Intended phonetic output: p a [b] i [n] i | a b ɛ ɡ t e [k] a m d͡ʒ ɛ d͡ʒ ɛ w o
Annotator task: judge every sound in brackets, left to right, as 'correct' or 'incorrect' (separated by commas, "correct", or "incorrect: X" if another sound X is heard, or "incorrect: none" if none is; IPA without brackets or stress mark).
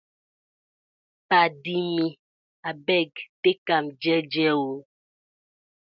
incorrect: d, incorrect: m, correct